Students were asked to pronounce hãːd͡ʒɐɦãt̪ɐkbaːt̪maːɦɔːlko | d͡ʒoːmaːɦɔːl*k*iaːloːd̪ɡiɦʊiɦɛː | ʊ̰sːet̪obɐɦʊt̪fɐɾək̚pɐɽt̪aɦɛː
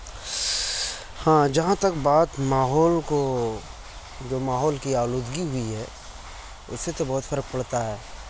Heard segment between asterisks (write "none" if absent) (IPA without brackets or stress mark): k